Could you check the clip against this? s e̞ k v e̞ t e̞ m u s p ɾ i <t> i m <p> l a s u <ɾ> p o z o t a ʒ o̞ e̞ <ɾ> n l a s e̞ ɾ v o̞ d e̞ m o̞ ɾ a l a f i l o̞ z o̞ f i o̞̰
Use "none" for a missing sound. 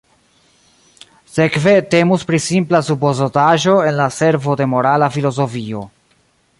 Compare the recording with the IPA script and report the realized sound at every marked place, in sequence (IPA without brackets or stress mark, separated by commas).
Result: s, p, none, none